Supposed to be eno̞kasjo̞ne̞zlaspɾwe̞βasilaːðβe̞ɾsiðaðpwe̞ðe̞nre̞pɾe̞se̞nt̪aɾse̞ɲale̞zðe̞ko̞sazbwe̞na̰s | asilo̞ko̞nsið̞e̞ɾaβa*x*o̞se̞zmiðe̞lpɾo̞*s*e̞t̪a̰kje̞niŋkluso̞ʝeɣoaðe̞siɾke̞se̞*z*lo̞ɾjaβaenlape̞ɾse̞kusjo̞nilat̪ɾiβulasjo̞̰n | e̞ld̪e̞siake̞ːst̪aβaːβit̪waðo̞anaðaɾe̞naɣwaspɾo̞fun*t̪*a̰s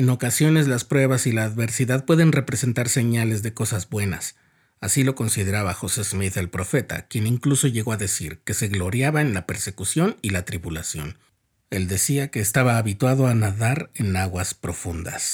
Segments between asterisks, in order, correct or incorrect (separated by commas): correct, incorrect, incorrect, incorrect